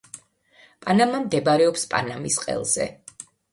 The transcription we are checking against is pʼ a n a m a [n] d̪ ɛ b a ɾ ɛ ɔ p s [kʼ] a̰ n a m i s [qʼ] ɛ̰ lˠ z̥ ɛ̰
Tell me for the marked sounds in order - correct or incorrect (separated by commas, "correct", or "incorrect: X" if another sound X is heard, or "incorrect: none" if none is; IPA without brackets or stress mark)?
incorrect: m, incorrect: pʼ, correct